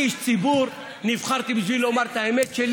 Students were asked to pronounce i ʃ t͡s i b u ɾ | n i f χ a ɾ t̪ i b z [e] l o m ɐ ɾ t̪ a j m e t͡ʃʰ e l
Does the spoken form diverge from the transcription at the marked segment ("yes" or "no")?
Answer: yes